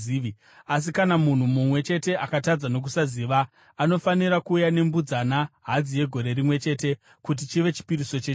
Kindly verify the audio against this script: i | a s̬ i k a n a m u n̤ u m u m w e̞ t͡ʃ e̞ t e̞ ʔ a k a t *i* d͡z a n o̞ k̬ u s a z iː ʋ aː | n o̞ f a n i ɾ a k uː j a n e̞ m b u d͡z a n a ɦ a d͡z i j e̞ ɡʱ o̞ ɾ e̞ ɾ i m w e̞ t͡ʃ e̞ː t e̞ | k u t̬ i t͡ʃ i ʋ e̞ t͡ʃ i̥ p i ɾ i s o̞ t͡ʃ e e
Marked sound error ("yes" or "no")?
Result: yes